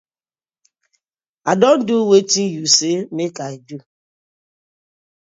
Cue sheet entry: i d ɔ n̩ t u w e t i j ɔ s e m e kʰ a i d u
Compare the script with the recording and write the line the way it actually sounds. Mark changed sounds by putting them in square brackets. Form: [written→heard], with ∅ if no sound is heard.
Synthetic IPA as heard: [i→a] d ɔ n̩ [t→d] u w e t i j [ɔ→u] s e m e [kʰ→k] a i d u